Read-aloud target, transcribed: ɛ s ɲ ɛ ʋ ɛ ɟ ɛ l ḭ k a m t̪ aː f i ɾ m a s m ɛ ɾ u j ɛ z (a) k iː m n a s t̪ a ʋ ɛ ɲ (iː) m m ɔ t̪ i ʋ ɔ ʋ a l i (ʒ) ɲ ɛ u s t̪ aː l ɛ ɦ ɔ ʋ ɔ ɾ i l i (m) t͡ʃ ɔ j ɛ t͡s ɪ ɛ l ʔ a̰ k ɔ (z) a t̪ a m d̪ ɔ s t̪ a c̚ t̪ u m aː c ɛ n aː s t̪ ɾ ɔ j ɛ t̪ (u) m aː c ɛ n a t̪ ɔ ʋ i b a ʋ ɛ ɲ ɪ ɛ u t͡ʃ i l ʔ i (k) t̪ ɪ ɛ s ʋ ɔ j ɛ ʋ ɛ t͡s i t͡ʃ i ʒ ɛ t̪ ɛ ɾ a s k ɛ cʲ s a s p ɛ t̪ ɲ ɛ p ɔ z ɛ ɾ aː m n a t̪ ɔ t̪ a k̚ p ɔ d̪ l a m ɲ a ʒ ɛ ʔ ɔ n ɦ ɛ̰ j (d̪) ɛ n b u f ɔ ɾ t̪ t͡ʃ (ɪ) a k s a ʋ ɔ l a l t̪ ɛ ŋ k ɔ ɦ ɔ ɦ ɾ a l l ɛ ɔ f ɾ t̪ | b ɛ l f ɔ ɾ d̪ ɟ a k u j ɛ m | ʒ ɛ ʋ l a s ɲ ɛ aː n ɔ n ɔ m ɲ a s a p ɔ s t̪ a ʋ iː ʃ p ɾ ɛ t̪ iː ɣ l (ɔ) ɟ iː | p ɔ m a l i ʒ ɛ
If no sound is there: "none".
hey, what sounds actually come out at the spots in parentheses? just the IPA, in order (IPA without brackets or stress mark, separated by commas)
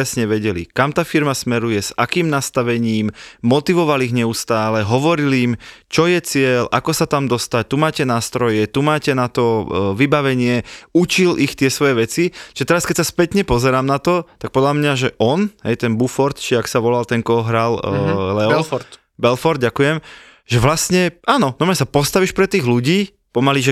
a, iː, ɣ, m, s, u, x, t̪, i, u